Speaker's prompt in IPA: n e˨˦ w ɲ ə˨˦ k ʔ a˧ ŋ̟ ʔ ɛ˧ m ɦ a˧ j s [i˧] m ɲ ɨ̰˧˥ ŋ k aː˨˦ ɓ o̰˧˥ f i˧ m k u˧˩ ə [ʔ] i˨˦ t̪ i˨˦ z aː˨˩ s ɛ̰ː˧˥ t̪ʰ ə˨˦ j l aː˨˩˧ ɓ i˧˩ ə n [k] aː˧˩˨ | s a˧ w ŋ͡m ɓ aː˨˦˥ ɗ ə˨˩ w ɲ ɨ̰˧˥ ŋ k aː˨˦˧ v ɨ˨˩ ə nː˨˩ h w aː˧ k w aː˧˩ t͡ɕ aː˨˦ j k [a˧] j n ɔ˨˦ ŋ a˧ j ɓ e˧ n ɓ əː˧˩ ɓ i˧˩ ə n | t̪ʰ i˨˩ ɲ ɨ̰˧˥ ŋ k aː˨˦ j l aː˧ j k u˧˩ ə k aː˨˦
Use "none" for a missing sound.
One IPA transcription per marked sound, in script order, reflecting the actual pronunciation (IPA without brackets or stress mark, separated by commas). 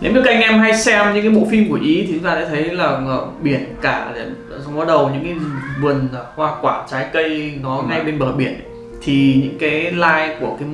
ɛ˧, ʔ, k, ə˧